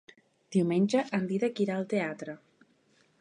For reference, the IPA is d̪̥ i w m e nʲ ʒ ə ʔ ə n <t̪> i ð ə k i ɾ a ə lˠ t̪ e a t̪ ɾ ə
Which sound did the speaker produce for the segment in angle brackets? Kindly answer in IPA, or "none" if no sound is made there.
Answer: d̪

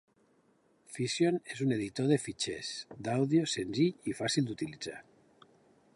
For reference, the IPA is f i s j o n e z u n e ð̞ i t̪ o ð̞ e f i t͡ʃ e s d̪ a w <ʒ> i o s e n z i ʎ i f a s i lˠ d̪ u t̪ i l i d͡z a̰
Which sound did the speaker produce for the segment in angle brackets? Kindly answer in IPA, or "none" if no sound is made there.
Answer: ð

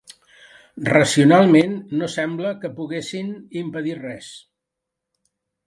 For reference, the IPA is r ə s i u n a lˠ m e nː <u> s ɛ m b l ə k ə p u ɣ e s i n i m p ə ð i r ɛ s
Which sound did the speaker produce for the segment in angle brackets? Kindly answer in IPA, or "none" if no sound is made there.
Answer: o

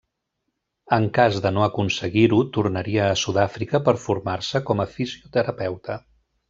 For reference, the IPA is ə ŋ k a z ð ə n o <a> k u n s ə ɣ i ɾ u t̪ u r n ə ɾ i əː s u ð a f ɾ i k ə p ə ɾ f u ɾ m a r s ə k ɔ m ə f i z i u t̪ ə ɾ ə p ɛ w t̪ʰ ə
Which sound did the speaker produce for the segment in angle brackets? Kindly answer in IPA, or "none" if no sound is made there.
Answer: ə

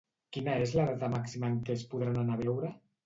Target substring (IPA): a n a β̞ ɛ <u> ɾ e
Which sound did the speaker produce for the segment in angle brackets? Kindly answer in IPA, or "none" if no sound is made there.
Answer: w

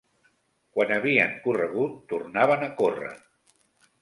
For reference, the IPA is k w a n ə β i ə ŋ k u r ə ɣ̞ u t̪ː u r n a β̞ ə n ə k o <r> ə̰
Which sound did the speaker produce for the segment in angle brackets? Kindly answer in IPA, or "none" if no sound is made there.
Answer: r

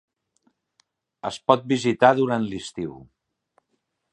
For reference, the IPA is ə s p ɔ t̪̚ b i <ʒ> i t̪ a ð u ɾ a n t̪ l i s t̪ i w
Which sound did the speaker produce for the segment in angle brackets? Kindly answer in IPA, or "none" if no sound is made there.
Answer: z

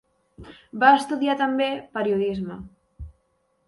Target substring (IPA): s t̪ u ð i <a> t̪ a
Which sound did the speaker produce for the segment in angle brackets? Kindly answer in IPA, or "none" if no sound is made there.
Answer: a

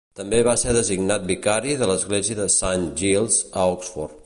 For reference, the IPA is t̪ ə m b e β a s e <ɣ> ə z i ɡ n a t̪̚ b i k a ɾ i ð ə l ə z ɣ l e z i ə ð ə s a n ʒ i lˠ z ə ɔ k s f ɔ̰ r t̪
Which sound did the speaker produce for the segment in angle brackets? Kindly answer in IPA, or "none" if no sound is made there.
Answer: ð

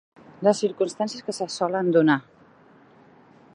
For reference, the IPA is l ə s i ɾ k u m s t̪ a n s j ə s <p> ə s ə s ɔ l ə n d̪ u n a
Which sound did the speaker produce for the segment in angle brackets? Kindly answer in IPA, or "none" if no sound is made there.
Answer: k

